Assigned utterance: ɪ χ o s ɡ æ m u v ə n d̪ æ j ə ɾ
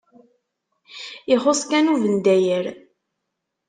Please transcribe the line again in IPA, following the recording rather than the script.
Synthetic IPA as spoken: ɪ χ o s k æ n u v ə n d̪ æ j ə ɾ